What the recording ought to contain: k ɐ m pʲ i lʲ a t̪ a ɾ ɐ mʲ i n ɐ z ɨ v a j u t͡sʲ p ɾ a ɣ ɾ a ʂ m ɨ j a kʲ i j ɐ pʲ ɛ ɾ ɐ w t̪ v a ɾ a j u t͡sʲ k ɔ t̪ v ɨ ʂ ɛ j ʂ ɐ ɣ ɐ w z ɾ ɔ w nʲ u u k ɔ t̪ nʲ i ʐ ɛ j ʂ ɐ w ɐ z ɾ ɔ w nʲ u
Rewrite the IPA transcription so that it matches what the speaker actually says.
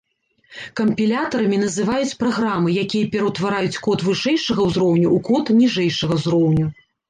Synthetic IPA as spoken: k ɐ m pʲ i lʲ a t̪ ɐ ɾ ɐ mʲ i n ɐ z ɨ v a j u t͡sʲ p ɾ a ɣ ɾ a m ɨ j a kʲ i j ɐ pʲ ɛ ɾ ɐ w t̪ v a ɾ a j u t͡sʲ k ɔ t̪ v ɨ ʂ ɛ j ʂ ɐ ɣ ɐ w z ɾ ɔ w nʲ u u k ɔ t̪ nʲ i ʐ ɛ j ʂ ɐ ɣ ɐ z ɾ ɔ w nʲ u